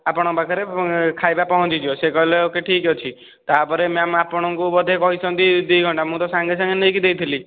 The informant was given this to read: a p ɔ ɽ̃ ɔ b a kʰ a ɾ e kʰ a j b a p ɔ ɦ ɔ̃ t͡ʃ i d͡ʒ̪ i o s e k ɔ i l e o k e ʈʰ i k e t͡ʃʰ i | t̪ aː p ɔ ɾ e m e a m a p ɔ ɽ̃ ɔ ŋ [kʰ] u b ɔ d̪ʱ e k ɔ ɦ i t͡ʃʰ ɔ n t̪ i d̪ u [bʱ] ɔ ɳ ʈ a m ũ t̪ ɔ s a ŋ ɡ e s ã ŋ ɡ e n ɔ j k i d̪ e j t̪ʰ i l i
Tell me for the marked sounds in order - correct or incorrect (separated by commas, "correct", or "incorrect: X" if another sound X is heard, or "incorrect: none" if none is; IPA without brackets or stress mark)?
incorrect: k, incorrect: ɡʱ